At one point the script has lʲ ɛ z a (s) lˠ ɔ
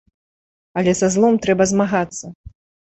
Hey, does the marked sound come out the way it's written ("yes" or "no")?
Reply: no